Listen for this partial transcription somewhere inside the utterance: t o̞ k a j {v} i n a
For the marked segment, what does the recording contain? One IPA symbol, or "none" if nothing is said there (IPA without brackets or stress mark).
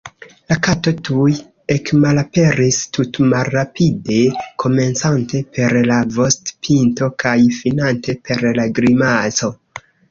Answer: f